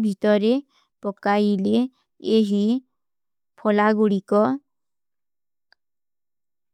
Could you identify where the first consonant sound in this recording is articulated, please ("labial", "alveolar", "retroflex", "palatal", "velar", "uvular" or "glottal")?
labial